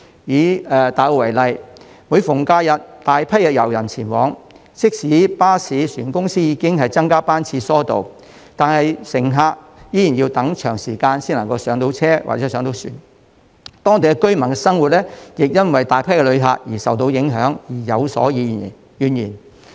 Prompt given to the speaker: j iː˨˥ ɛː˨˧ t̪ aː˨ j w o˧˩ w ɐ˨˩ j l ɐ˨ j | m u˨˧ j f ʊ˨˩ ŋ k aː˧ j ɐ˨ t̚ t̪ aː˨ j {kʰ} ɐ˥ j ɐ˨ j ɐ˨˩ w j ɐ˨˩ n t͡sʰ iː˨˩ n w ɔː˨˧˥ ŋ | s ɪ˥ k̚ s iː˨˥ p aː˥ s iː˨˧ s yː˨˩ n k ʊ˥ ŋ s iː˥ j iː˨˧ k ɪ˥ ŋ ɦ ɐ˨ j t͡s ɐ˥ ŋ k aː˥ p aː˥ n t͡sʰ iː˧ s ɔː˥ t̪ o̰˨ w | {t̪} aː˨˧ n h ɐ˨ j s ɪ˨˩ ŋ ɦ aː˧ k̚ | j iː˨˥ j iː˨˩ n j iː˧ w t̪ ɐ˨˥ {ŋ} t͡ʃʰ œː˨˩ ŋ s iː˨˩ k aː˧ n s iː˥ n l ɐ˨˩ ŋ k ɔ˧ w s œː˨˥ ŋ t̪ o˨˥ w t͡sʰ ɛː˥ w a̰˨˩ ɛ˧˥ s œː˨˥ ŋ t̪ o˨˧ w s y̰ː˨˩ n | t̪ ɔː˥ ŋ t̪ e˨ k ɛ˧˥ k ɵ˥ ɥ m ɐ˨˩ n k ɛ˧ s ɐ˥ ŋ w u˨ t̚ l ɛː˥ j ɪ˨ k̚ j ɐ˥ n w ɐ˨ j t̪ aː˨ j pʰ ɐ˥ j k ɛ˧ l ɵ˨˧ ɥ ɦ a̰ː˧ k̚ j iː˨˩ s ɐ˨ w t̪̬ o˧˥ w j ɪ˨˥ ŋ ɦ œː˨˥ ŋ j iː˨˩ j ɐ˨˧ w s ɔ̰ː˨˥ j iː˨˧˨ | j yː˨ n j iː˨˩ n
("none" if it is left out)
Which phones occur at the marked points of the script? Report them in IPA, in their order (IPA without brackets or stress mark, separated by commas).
pʰ, t̪, ŋ